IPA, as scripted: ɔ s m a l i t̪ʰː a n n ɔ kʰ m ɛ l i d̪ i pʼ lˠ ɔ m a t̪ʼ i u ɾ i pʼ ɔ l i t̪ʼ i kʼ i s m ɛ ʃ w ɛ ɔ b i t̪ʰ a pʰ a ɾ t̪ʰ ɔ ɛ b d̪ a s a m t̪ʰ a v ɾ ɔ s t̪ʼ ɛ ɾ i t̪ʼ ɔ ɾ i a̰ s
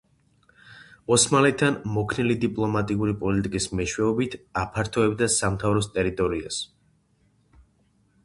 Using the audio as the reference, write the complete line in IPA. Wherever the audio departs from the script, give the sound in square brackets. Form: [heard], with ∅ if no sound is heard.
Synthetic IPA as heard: ɔ s m a l [ɛ] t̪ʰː a n [m] ɔ kʰ [n] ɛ l i d̪ i pʼ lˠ ɔ m a t̪ʼ i u ɾ i pʼ ɔ l i t̪ʼ i kʼ i s m ɛ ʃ w ɛ ɔ b i t̪ʰ a pʰ a ɾ t̪ʰ ɔ ɛ b d̪ a s a m t̪ʰ a v ɾ ɔ s t̪ʼ ɛ ɾ i t̪ʼ ɔ ɾ i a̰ s